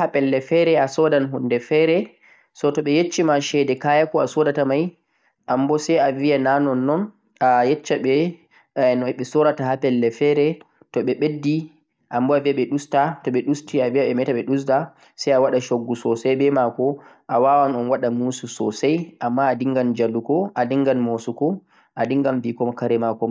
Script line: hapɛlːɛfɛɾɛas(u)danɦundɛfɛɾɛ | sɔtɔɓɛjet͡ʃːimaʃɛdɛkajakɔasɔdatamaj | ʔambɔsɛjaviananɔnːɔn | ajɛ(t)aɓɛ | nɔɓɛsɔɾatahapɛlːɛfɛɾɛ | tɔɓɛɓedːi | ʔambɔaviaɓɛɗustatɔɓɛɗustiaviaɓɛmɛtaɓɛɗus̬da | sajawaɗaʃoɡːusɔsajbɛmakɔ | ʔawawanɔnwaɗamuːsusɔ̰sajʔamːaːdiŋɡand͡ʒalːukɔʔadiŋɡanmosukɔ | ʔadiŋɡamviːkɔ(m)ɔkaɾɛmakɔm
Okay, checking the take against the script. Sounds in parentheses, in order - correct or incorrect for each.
incorrect, incorrect, correct

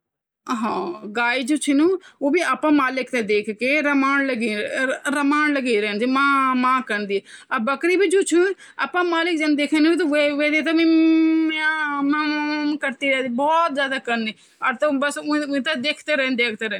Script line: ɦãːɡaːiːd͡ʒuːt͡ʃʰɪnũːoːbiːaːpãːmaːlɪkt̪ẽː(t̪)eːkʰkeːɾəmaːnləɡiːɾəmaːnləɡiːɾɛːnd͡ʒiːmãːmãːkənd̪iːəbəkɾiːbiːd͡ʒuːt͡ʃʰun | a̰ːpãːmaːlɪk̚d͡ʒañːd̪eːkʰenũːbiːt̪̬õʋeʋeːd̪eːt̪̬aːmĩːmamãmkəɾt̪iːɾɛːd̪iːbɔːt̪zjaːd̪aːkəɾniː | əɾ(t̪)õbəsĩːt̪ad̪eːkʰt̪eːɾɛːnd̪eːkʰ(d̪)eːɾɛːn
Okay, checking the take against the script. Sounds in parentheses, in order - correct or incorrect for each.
incorrect, correct, incorrect

